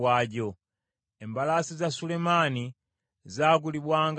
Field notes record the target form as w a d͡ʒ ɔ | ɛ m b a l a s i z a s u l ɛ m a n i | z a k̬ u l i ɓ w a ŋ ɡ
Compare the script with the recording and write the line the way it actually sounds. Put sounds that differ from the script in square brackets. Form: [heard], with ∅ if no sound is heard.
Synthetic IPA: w a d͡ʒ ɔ | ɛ m b a l a s i z a s u l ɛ m a n i | z a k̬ u l i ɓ w a ŋ ɡ